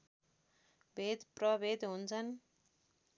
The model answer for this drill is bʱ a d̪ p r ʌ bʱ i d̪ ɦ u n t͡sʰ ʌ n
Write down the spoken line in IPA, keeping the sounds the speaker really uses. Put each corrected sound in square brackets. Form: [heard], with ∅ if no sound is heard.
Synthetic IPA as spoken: bʱ [e] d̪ p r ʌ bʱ [e] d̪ ɦ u n t͡sʰ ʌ n

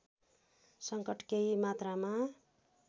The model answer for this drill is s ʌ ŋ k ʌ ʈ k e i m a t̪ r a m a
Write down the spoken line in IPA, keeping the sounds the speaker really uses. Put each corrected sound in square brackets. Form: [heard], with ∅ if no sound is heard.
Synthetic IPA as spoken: s ʌ ŋ k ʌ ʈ k e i m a t̪ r a m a

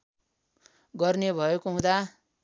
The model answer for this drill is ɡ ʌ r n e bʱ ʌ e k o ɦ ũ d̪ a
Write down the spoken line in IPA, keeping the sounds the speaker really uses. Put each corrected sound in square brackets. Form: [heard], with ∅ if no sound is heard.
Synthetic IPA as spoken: ɡ ʌ r n e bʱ ʌ e k o ɦ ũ d̪ a

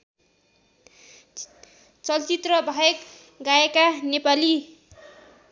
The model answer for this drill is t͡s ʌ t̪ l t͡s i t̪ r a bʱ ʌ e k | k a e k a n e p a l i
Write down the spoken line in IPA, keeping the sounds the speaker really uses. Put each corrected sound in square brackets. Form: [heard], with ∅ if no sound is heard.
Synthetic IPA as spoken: t͡s ʌ [∅] l t͡s i t̪ r [ʌ] bʱ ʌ e k | [ɡ] a e k a n e p a l i

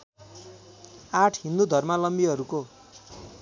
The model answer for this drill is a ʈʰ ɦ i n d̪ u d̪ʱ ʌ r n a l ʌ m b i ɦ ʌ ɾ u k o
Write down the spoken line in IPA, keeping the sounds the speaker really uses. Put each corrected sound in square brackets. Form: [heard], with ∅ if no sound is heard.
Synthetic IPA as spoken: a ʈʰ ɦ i n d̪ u d̪ʱ ʌ r [m] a l ʌ m b i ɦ ʌ ɾ u k o

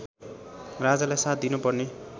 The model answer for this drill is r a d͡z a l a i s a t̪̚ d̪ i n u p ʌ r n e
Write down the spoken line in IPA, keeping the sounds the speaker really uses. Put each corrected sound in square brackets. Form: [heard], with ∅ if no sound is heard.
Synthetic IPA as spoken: r a d͡z a l a [j] s a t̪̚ d̪ i n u p ʌ r n e

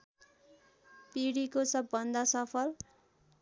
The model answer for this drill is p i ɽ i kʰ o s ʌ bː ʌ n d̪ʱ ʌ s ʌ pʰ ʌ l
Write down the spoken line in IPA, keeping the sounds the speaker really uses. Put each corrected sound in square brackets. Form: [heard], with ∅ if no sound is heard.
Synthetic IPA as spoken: p i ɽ i [k] o s ʌ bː ʌ n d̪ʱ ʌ s ʌ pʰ ʌ l

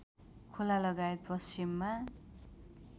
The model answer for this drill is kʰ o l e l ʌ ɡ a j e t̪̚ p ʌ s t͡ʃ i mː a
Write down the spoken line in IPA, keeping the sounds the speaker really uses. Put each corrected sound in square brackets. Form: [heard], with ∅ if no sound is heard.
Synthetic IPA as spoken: kʰ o l [a] l ʌ ɡ a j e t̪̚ p ʌ s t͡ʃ i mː a

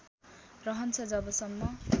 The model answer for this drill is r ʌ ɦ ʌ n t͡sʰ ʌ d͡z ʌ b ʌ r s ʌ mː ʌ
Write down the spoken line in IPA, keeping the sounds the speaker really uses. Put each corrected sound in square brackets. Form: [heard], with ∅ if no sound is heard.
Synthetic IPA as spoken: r ʌ ɦ ʌ n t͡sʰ ʌ d͡z ʌ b ʌ [∅] s ʌ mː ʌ

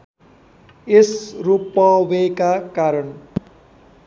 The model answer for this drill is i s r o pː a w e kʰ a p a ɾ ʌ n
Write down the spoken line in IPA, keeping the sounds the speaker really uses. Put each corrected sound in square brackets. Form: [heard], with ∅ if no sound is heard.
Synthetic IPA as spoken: [e] s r [u] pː [ʌ] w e [k] a [k] a ɾ ʌ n

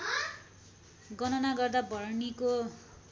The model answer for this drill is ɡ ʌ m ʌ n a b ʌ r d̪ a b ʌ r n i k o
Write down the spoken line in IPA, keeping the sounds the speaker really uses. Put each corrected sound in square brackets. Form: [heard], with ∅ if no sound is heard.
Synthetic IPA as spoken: ɡ ʌ [n] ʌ n a [ɡ] ʌ r d̪ a b ʌ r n i k o

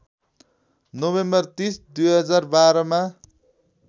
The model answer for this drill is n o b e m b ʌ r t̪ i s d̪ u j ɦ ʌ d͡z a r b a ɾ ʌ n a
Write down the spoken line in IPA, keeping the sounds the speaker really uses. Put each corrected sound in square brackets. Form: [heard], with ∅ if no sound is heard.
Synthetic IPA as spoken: n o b e m b ʌ r t̪ i s d̪ u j ɦ ʌ d͡z a r b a ɾ ʌ [m] a

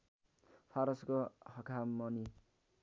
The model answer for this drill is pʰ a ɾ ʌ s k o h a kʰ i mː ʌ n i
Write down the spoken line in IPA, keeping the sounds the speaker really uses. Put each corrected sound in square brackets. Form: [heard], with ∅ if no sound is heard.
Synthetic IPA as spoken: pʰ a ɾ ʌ s k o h [ʌ] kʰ [a] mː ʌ n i

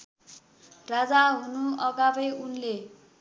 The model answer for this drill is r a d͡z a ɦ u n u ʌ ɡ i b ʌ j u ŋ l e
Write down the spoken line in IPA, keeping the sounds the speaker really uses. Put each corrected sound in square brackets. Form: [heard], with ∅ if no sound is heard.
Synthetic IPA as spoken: r a d͡z a ɦ u n u ʌ ɡ [a] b ʌ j u [n] l e

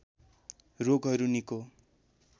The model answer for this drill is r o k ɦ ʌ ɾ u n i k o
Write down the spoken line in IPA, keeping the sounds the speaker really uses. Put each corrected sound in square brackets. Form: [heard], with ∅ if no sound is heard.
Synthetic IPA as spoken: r o [ɡ] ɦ ʌ ɾ u n i k o

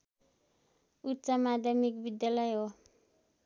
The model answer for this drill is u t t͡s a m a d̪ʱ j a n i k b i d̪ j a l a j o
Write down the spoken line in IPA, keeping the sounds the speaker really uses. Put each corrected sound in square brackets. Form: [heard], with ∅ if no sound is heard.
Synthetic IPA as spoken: u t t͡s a m a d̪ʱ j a [m] i k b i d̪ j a l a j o

